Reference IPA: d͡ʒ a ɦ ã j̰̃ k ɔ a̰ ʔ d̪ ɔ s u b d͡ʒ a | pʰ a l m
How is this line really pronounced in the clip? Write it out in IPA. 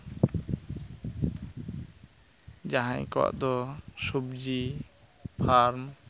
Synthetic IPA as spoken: d͡ʒ a ɦ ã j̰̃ k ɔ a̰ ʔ d̪ ɔ s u b d͡ʒ i | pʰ a ɾ m